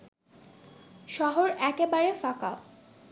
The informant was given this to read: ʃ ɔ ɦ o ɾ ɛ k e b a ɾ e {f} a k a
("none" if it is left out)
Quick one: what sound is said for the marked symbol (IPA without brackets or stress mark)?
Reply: f